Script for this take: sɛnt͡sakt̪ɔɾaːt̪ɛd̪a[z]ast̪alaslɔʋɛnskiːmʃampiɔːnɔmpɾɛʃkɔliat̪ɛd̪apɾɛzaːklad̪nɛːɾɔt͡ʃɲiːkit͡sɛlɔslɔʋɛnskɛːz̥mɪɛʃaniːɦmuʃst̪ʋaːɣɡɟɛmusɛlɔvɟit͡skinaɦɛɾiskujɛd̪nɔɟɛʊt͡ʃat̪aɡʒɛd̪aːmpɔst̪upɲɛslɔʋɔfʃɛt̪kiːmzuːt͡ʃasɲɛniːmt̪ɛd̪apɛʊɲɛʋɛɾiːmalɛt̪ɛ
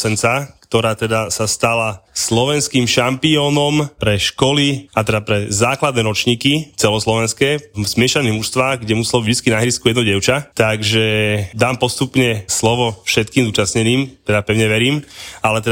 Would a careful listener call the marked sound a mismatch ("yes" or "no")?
yes